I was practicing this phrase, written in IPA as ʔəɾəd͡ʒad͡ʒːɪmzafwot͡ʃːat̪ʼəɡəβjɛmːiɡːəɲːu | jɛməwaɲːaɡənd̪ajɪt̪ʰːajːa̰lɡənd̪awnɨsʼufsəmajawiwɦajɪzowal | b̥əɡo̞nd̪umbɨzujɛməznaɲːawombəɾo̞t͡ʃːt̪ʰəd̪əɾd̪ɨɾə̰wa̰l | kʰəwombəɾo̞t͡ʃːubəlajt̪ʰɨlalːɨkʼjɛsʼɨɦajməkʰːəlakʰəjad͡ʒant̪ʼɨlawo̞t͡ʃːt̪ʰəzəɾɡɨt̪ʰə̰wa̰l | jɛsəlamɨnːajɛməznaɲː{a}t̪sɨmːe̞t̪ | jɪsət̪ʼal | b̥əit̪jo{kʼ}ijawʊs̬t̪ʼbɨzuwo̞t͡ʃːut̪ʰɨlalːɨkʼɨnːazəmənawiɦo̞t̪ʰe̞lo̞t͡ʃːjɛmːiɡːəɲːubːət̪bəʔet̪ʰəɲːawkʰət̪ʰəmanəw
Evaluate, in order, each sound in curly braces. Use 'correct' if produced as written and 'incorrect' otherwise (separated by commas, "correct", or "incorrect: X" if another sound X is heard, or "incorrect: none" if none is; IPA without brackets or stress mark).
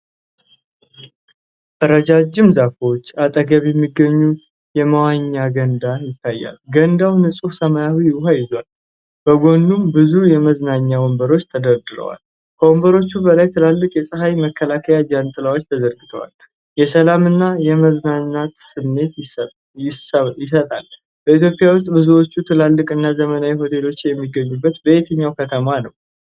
correct, incorrect: pʼ